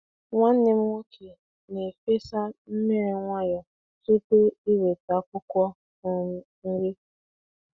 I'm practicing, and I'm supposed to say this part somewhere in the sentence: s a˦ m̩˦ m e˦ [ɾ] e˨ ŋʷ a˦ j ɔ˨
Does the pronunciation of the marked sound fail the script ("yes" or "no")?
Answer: no